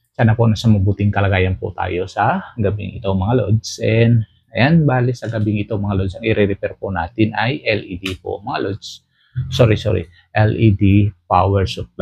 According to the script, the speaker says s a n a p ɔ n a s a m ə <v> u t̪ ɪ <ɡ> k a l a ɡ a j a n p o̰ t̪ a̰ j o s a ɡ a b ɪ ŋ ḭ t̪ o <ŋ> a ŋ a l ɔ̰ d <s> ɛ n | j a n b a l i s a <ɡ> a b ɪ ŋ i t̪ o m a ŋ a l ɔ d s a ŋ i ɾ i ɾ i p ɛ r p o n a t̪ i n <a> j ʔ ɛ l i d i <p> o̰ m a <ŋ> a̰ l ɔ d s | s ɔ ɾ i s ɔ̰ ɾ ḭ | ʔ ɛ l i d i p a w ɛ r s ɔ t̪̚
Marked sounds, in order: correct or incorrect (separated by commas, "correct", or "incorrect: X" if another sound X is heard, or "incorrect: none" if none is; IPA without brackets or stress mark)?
incorrect: b, incorrect: ŋ, incorrect: m, correct, correct, correct, correct, correct